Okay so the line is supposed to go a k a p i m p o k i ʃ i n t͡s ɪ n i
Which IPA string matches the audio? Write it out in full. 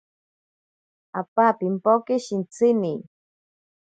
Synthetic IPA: a p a p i m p o k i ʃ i n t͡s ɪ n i